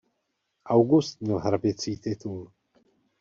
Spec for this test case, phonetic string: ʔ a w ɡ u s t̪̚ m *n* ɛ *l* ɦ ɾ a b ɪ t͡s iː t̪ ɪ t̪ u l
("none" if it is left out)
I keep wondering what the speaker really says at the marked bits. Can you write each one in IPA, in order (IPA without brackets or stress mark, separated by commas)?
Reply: ɲ, l